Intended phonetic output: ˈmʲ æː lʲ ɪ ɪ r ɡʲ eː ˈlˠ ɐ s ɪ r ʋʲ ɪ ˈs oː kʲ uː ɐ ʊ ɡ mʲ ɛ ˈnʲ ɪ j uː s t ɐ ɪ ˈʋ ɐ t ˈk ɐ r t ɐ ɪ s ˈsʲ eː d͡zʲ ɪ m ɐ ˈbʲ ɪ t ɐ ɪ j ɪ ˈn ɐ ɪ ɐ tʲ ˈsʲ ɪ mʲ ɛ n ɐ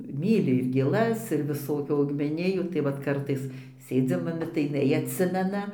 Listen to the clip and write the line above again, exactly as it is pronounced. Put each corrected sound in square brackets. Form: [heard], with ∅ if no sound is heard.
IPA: ˈmʲ [iː] lʲ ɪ ɪ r ɡʲ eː ˈlˠ ɐ s ɪ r ʋʲ ɪ ˈs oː kʲ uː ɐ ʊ ɡ mʲ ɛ ˈnʲ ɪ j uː [∅] t ɐ ɪ ˈʋ ɐ t ˈk ɐ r t ɐ ɪ s ˈsʲ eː d͡zʲ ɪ m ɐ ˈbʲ ɪ t ɐ ɪ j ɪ ˈn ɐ ɪ ɐ tʲ ˈsʲ ɪ mʲ ɛ n ɐ

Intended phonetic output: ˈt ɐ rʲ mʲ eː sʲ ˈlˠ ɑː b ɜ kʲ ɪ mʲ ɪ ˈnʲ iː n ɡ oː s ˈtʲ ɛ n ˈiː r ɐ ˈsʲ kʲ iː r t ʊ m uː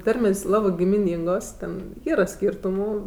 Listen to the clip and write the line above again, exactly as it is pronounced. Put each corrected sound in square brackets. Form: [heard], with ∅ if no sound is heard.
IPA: ˈt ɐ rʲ mʲ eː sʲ ˈlˠ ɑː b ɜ [ɡʲ] ɪ mʲ ɪ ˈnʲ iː [ŋ] ɡ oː s ˈtʲ ɛ n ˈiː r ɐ ˈsʲ kʲ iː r t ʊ m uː

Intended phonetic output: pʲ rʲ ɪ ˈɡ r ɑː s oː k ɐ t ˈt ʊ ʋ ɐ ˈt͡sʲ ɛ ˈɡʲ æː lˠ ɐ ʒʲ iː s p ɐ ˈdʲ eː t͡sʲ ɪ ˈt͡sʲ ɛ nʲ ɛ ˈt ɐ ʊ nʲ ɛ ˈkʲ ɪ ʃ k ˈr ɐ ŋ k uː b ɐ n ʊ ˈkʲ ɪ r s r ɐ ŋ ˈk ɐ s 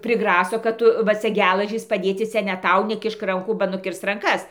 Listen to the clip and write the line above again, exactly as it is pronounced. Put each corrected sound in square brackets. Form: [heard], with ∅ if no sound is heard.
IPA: pʲ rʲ ɪ ˈɡ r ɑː s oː k ɐ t ˈt ʊ ʋ ɐ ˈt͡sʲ ɛ ˈɡʲ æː lˠ ɐ ʒʲ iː s p ɐ ˈdʲ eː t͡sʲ ɪ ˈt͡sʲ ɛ nʲ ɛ ˈt ɐ ʊ nʲ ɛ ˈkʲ ɪ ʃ k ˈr ɐ ŋ k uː b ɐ n ʊ ˈkʲ ɪ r s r ɐ ŋ ˈk ɐ s

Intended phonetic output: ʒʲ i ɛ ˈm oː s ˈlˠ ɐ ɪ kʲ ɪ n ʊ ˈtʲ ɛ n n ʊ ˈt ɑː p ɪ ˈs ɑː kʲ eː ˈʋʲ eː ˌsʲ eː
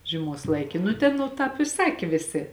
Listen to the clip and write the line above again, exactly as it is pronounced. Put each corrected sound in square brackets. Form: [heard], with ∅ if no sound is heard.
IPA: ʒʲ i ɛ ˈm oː s ˈlˠ ɐ ɪ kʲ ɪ n ʊ ˈtʲ ɛ n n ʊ ˈt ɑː p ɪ ˈs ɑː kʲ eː ˈʋʲ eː ˌsʲ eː

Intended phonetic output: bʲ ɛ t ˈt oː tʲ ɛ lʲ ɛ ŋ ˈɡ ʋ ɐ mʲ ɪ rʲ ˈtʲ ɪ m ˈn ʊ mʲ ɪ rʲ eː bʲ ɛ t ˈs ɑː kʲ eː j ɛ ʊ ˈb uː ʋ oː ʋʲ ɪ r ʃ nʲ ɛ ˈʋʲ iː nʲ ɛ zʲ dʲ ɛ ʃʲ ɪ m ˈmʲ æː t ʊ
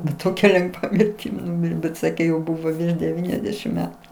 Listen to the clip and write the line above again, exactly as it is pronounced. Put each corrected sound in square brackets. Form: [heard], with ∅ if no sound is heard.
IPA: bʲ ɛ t ˈt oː [kʲ] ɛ lʲ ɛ ŋ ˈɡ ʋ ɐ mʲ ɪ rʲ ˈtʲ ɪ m ˈn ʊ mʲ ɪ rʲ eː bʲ ɛ t ˈs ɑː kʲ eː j ɛ ʊ ˈb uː ʋ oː ʋʲ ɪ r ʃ [dʲ] ɛ ˈʋʲ iː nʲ ɛ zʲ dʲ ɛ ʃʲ ɪ m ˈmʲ æː t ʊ

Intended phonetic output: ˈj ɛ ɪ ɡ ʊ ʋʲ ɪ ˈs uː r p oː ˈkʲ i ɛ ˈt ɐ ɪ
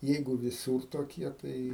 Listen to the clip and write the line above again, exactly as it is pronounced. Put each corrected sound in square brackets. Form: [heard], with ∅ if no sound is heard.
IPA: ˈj ɛ ɪ ɡ ʊ ʋʲ ɪ ˈs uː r [t] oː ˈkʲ i ɛ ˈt ɐ ɪ

